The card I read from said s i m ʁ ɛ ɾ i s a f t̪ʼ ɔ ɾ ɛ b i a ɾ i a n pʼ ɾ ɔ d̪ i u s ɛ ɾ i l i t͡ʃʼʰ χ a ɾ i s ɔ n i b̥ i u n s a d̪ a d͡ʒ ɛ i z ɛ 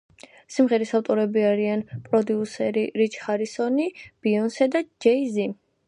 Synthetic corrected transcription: s i m ʁ ɛ ɾ i s a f t̪ʼ ɔ ɾ ɛ b i a ɾ i a n pʼ ɾ ɔ d̪ i u s ɛ ɾ i ɾ i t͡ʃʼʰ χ a ɾ i s ɔ n i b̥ i ɔ n s ɛ d̪ a d͡ʒ ɛ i z i